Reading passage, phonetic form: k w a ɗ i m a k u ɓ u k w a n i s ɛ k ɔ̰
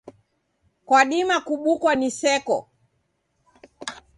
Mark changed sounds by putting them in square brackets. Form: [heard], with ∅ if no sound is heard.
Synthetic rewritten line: k w a ɗ i m a k u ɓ u k w a n i s ɛ k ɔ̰